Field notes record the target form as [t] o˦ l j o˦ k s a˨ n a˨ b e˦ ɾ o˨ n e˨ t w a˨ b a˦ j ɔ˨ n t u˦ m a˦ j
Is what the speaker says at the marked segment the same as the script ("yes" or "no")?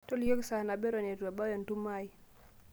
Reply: yes